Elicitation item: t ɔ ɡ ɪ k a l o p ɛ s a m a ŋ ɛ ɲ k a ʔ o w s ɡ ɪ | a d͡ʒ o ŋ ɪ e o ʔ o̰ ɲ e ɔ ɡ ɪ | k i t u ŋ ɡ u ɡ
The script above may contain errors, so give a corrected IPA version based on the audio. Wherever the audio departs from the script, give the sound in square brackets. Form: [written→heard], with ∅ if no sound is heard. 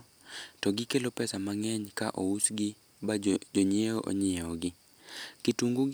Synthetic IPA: t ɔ ɡ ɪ k [a→e] l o p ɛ s a m a ŋ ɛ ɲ k a ʔ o [w→u] s ɡ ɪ | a d͡ʒ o [ŋ→ɲ] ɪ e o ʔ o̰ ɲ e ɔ ɡ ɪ | k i t u ŋ ɡ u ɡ